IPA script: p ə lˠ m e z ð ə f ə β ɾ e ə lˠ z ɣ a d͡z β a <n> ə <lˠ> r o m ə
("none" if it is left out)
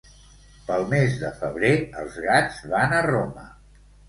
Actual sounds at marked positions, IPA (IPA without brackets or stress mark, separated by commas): n, none